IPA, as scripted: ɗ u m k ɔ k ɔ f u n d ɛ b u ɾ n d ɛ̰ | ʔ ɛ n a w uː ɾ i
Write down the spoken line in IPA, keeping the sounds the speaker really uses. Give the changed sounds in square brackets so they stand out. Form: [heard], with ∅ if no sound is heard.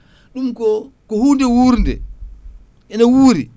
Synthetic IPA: ɗ u m k ɔ k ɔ [h] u n d ɛ [w] u ɾ n d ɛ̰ | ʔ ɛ n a w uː ɾ i